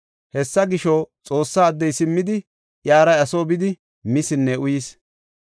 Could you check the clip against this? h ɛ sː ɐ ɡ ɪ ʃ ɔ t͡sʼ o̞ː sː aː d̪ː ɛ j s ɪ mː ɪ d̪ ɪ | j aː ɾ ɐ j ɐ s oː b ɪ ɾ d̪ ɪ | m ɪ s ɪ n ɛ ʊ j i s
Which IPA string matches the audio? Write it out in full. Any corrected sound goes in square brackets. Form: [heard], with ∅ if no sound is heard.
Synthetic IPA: h ɛ sː ɐ ɡ ɪ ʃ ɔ t͡sʼ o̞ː sː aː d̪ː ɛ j s ɪ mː ɪ d̪ ɪ | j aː ɾ ɐ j ɐ s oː b ɪ [∅] d̪ ɪ | m ɪ s ɪ [nː] ɛ ʊ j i s